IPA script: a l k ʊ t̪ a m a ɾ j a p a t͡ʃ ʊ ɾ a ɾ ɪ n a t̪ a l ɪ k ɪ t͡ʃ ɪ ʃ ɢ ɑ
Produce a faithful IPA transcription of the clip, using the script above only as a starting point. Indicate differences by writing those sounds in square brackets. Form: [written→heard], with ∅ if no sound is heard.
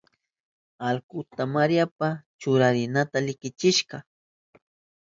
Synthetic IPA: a l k ʊ t̪ a m a ɾ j a p a t͡ʃ ʊ ɾ a ɾ ɪ n a t̪ a l ɪ k ɪ t͡ʃ ɪ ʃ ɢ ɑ